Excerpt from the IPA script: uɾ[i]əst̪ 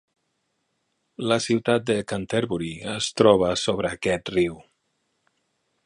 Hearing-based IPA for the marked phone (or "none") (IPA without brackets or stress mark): i